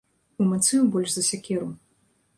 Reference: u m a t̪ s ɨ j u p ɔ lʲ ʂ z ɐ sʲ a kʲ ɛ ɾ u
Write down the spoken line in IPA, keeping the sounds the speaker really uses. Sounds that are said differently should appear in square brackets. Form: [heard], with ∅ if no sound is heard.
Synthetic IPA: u m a t̪ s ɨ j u [b] ɔ lʲ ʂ z ɐ sʲ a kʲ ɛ ɾ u